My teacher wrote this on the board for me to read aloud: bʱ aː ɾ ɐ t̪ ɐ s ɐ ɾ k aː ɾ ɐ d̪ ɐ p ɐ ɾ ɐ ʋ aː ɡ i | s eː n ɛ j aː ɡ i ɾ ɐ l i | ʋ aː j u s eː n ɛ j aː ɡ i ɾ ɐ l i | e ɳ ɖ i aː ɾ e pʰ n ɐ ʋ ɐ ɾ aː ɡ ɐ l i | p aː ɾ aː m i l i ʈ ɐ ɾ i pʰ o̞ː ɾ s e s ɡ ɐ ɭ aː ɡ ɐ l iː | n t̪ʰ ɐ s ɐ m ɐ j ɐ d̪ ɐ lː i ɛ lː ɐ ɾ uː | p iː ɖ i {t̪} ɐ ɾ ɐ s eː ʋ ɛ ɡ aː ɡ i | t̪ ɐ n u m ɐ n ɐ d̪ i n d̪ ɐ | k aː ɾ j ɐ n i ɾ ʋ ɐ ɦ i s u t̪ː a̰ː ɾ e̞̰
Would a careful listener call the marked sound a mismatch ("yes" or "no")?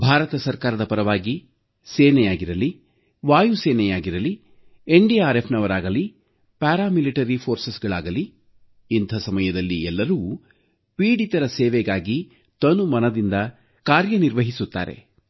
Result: no